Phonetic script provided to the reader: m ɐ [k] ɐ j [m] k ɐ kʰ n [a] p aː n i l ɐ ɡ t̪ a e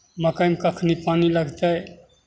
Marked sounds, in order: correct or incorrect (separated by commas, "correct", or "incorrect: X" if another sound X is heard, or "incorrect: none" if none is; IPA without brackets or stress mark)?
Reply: correct, correct, incorrect: i